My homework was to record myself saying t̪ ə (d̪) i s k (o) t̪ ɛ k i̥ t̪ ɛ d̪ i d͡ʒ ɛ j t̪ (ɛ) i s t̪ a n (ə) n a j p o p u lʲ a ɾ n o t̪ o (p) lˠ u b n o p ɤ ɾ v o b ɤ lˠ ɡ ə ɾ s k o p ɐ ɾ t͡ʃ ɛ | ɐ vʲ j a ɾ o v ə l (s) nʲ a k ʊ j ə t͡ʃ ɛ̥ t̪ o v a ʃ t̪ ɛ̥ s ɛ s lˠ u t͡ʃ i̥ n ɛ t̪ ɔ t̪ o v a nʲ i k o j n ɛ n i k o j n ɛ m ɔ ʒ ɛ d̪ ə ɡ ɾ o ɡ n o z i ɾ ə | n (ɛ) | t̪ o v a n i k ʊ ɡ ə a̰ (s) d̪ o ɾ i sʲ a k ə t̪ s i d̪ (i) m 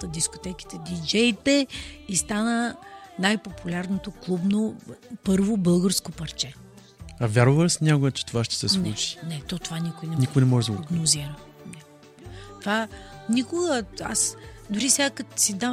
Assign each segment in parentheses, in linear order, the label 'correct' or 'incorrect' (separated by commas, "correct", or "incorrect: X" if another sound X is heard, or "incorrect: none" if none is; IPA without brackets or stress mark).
correct, correct, correct, correct, incorrect: k, correct, correct, correct, incorrect: a